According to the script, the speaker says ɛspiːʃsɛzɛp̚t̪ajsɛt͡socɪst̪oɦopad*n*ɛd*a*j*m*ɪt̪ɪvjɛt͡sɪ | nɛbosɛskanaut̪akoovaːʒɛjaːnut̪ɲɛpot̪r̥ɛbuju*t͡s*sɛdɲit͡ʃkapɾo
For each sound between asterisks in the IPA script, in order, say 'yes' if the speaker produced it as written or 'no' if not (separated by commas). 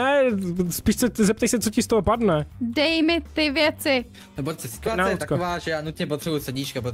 yes, no, yes, no